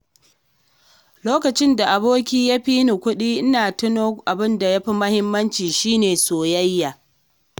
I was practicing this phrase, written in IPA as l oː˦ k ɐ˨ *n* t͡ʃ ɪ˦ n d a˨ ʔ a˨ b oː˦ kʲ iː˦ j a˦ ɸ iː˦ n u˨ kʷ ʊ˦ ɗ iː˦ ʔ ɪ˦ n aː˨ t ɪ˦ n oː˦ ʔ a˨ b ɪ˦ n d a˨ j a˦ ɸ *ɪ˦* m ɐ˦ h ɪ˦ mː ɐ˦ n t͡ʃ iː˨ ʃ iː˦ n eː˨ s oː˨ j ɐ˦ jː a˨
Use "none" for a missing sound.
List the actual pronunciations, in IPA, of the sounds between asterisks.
none, i˦

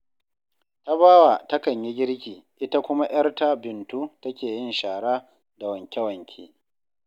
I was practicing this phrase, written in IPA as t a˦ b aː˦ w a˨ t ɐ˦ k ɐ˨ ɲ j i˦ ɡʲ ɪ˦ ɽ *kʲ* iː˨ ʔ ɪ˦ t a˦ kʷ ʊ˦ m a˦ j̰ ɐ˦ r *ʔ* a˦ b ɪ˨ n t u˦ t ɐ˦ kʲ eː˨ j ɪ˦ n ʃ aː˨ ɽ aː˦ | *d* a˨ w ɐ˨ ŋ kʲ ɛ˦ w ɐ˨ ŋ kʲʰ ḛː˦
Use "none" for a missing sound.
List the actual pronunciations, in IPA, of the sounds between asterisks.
kʲ, t, d

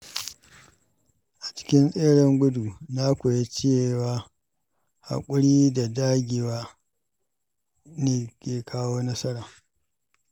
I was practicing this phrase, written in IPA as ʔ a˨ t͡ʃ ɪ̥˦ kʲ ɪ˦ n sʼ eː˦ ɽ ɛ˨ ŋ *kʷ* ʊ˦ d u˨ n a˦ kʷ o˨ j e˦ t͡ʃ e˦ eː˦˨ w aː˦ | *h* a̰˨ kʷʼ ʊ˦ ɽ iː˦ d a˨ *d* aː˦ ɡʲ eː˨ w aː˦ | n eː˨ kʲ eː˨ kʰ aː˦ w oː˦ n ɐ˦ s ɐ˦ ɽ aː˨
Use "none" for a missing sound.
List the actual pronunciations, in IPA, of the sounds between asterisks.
ɡʷ, h, d

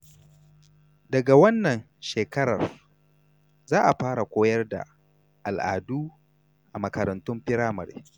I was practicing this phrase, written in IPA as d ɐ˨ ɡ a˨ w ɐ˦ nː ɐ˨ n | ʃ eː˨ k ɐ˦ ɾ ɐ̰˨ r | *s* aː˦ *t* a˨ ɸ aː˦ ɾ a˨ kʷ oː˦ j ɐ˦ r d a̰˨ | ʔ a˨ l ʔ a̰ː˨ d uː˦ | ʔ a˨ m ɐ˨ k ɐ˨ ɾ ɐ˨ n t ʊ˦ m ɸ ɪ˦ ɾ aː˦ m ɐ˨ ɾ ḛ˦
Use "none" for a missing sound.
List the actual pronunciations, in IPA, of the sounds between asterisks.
z, ʔ

